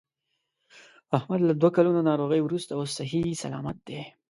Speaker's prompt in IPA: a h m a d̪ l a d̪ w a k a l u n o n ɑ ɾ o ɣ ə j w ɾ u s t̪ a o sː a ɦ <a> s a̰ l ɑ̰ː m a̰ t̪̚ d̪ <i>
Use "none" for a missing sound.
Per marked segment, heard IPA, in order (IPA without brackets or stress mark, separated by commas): i, e